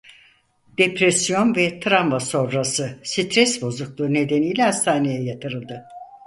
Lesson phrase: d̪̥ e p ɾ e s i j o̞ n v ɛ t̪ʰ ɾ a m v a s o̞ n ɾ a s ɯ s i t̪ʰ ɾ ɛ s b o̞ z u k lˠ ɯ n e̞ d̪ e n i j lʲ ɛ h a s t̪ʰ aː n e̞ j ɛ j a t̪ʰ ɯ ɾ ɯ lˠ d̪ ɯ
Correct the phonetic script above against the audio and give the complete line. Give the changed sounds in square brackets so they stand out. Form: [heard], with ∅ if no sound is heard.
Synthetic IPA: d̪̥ e p ɾ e s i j o̞ n v ɛ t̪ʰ ɾ a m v a s o̞ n ɾ a s ɯ s i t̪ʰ ɾ ɛ s b o̞ z u k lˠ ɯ n e̞ d̪ e n i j lʲ ɛ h a s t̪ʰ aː n e̞ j ɛ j a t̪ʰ ɯ ɾ ɯ lˠ d̪ ɯ